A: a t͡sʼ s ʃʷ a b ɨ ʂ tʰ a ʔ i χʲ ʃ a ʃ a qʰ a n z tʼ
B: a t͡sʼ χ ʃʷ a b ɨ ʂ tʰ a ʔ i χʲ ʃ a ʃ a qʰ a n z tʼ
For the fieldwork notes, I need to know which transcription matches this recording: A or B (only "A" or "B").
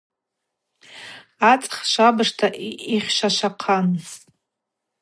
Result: B